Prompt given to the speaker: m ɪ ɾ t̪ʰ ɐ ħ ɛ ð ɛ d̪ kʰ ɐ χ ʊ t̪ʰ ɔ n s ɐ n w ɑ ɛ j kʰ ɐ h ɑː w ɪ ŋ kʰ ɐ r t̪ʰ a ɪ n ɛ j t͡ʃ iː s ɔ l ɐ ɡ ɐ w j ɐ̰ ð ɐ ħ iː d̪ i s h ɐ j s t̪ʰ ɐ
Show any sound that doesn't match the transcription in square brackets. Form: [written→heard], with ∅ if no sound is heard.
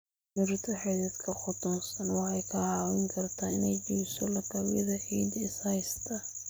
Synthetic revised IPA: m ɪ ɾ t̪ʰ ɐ ħ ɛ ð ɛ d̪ kʰ ɐ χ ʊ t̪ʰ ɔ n s ɐ n w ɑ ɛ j kʰ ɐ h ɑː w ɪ ŋ kʰ ɐ r t̪ʰ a ɪ n ɛ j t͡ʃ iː s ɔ l ɐ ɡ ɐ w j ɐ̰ ð ɐ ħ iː d̪ [i→ɪ] s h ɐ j s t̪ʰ ɐ